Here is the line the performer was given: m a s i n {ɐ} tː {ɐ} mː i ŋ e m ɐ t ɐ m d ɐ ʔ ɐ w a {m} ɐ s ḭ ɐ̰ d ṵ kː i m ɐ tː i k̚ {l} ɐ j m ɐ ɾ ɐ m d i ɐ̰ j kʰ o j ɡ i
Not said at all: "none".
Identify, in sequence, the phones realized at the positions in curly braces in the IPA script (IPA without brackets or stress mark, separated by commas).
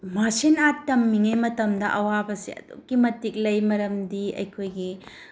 a, ɐ, b, l